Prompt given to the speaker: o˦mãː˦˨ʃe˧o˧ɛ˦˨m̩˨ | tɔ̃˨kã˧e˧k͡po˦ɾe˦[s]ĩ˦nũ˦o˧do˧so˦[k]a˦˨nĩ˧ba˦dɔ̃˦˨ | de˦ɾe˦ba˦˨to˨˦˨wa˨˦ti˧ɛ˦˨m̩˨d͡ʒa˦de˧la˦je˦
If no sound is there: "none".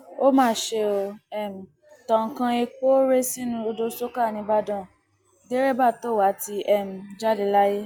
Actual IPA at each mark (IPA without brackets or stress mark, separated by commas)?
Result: s, k